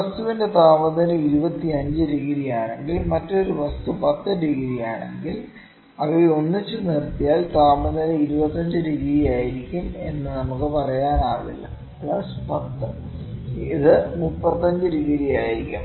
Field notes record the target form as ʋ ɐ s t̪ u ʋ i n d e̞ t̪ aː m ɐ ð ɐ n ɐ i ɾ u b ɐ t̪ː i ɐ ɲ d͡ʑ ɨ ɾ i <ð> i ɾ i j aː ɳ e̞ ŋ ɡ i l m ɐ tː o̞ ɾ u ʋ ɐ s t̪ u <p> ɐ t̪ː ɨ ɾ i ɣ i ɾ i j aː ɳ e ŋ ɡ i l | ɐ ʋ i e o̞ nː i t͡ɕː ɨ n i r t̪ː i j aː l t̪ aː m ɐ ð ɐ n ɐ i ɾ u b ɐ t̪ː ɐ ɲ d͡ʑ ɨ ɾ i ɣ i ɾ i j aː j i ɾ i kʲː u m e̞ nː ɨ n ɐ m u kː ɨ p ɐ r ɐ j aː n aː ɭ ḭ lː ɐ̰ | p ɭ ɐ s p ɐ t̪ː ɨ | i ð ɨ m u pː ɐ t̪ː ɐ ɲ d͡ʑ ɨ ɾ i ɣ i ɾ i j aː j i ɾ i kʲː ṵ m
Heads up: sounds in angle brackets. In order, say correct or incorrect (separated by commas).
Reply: incorrect, correct